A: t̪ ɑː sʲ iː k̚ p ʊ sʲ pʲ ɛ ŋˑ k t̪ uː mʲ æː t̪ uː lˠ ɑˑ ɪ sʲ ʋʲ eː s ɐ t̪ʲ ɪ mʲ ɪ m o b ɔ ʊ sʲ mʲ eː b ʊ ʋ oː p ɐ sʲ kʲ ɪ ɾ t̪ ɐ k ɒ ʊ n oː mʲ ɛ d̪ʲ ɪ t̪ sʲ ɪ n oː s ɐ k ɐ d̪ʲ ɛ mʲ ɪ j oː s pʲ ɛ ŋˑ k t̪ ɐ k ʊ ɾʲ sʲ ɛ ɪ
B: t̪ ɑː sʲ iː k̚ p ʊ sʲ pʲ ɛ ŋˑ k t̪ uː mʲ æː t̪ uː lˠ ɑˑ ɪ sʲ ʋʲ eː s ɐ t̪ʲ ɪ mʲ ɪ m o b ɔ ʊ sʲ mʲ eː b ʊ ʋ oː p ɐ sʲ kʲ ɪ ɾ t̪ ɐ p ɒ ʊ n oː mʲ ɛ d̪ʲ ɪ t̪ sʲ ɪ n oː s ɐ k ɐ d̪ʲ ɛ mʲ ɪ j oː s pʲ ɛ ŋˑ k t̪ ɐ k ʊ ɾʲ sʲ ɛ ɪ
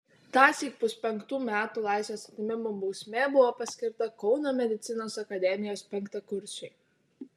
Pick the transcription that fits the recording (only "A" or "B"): A